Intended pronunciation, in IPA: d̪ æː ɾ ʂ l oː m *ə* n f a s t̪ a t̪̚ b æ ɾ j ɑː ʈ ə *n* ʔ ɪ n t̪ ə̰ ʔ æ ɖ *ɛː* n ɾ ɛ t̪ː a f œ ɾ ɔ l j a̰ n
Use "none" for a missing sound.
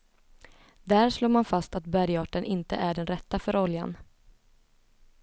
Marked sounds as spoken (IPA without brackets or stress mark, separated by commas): a, n, ɛ